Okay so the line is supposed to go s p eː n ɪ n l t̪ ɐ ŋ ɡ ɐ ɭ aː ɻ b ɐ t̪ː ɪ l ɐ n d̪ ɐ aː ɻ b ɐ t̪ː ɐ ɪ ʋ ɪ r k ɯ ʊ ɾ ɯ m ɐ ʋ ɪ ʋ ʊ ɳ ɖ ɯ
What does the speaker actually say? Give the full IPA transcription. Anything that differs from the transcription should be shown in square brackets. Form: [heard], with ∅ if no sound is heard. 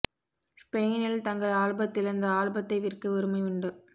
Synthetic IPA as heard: s p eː n ɪ [∅] l t̪ ɐ ŋ ɡ ɐ ɭ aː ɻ b ɐ t̪ː ɪ l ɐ n d̪ ɐ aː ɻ b ɐ t̪ː ɐ ɪ ʋ ɪ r k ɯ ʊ ɾ ɯ m ɐ [∅] ɪ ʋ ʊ ɳ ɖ ɯ